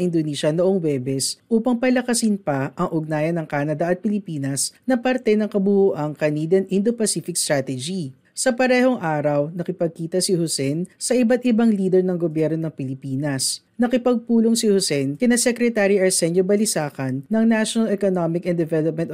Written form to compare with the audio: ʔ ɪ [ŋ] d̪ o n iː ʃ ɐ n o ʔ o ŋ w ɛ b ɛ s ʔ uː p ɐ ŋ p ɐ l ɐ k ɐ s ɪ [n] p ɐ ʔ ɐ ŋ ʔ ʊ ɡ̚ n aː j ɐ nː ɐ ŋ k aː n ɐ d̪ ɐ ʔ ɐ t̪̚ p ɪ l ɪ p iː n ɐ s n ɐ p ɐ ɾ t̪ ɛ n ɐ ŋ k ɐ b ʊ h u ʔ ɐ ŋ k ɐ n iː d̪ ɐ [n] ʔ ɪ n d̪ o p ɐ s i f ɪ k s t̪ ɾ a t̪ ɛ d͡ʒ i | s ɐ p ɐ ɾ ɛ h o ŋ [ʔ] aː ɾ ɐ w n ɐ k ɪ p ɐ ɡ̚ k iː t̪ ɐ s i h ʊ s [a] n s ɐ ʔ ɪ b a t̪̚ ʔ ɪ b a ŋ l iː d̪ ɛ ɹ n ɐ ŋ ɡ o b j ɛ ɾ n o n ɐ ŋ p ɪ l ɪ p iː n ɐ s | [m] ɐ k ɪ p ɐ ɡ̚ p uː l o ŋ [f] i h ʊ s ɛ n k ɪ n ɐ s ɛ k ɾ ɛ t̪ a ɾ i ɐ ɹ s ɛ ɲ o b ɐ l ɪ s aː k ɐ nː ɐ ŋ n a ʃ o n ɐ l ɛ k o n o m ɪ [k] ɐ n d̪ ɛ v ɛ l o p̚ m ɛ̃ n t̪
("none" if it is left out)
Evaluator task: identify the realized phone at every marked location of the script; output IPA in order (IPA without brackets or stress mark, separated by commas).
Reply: n, n, n, ʔ, ɛ, n, s, k